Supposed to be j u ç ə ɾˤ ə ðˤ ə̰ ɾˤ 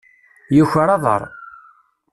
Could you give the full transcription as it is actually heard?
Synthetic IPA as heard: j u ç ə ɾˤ ɑ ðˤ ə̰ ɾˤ